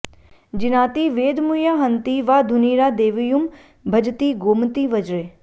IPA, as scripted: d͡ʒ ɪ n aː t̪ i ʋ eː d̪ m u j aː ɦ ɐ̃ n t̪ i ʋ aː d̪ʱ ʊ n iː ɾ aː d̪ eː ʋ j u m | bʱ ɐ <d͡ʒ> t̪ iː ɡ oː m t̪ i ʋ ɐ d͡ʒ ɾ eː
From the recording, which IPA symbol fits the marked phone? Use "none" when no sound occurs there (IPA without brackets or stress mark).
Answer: d͡ʒ